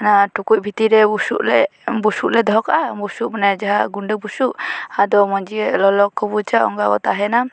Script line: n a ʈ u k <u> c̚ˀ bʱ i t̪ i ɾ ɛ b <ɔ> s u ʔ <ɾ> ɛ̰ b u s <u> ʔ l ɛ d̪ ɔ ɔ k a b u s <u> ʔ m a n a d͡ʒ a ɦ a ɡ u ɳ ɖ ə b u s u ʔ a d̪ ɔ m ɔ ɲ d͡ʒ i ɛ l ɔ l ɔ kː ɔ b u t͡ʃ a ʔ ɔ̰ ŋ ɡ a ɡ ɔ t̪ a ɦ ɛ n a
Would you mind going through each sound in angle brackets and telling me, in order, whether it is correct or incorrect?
correct, incorrect: u, incorrect: l, correct, correct

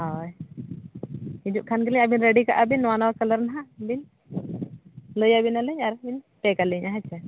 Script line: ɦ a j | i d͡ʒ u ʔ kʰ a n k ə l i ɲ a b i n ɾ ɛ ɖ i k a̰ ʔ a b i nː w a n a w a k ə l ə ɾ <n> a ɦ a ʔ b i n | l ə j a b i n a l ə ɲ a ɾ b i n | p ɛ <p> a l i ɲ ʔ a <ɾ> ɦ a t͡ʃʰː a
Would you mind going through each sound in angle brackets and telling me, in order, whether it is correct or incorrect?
correct, incorrect: k, incorrect: none

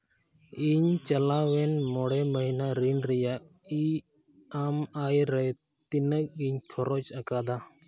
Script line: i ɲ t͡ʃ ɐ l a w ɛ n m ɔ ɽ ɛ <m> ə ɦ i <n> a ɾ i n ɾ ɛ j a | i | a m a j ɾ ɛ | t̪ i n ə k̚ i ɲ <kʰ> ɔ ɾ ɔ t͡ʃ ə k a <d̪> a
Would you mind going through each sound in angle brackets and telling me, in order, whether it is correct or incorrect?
correct, correct, correct, correct

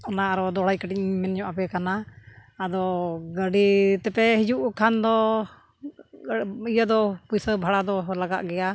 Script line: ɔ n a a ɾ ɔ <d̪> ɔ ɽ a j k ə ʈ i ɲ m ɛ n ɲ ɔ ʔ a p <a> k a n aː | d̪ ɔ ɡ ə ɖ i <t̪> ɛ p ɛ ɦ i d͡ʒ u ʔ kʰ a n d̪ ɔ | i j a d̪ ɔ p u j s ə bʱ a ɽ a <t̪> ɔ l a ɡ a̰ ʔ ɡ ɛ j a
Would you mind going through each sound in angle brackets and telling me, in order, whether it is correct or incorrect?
correct, incorrect: ɛ, correct, incorrect: d̪

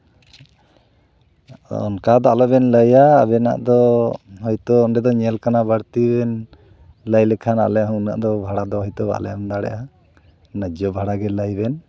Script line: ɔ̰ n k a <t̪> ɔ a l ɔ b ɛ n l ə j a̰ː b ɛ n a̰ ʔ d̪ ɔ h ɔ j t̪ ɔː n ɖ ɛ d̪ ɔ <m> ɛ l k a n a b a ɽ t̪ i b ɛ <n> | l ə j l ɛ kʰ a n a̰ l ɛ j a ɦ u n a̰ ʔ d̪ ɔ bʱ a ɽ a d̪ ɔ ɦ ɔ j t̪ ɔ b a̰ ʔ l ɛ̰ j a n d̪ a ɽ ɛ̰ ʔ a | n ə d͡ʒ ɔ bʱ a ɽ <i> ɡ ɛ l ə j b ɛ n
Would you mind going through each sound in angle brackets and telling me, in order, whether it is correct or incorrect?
incorrect: d̪, incorrect: ɲ, correct, incorrect: a

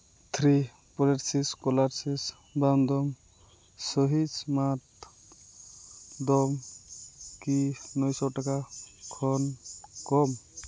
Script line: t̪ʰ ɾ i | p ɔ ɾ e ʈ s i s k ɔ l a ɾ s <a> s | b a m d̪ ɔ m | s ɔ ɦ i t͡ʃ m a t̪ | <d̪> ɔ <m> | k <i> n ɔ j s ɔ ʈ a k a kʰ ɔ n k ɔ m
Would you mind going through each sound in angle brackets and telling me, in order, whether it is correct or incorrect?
incorrect: i, correct, correct, correct

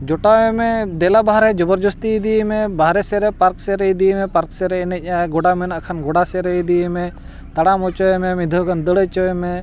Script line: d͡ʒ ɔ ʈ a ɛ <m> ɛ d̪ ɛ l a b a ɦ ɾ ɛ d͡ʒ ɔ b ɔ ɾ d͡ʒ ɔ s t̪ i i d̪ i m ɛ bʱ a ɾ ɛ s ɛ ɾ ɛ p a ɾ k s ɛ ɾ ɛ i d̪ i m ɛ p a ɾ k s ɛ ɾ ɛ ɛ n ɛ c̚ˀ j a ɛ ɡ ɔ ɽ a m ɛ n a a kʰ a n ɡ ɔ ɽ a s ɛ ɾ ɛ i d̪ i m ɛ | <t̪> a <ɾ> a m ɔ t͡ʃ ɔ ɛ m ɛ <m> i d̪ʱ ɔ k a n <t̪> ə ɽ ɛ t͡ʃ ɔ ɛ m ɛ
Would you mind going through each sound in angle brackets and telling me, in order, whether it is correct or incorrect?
correct, correct, incorrect: ɽ, correct, incorrect: d̪

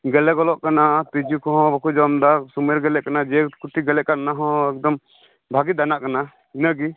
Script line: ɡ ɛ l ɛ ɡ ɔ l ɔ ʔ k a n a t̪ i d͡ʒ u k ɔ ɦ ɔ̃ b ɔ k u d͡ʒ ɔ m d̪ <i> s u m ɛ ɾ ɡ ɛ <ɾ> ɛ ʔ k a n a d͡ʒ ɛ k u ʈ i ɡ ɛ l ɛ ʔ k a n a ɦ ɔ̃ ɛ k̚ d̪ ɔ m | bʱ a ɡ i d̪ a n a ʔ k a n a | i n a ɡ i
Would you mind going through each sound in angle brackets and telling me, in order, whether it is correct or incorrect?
incorrect: a, incorrect: l

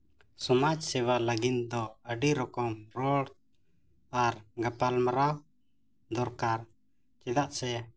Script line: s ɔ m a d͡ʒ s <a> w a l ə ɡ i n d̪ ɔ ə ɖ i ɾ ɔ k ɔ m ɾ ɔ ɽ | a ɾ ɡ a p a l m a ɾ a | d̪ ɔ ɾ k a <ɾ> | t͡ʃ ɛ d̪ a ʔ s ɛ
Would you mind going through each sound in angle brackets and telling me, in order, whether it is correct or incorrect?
incorrect: ɛ, correct

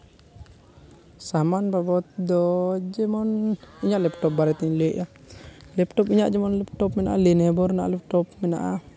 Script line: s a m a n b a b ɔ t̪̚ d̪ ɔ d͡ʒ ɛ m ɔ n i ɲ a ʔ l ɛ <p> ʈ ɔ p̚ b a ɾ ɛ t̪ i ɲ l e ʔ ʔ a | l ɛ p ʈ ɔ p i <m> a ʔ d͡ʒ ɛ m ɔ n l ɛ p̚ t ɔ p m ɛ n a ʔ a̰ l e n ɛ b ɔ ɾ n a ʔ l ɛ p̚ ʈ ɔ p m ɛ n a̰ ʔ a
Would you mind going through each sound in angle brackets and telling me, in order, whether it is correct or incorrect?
correct, incorrect: ɲ

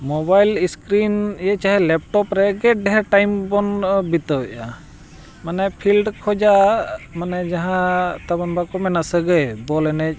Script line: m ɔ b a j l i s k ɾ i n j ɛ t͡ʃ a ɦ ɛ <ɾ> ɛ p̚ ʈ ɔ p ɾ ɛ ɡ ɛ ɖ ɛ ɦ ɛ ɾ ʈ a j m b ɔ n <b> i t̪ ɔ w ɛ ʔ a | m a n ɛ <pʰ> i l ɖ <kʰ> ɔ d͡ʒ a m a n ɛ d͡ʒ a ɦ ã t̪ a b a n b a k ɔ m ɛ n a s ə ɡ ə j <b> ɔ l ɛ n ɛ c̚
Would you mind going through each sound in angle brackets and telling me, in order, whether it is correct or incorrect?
incorrect: l, correct, correct, correct, correct

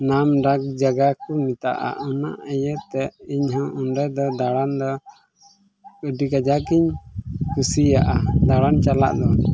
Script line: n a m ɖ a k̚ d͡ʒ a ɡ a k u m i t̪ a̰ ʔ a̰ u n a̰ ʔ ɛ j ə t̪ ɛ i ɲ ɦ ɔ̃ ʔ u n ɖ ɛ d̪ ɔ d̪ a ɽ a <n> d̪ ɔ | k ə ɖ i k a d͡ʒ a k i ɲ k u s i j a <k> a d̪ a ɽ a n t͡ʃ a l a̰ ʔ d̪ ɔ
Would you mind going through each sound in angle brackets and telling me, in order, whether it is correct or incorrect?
correct, incorrect: ʔ

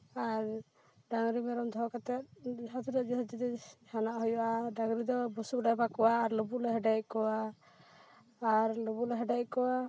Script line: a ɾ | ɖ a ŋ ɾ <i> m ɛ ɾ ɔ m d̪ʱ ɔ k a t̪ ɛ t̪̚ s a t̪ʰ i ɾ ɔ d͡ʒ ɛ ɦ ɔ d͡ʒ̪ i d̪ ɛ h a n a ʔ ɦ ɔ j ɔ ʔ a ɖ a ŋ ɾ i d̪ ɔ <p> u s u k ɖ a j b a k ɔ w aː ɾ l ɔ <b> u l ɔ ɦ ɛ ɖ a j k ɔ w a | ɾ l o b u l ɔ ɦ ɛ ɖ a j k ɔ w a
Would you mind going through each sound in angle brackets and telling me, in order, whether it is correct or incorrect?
correct, incorrect: b, correct

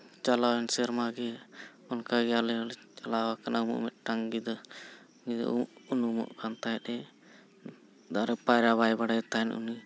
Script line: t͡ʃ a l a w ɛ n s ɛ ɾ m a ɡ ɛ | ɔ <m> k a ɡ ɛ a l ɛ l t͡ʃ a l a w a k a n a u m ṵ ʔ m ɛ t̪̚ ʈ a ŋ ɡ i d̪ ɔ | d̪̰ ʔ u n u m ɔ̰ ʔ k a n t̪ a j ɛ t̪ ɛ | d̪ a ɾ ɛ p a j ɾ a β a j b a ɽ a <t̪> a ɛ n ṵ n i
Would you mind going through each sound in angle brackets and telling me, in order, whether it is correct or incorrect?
incorrect: n, correct

